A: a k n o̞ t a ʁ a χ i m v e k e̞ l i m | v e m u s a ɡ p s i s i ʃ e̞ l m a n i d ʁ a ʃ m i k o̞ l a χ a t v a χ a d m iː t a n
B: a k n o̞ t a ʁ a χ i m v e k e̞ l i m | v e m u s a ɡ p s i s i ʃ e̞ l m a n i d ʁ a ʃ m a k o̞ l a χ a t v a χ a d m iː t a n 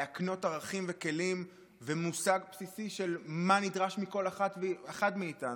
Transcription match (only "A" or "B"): A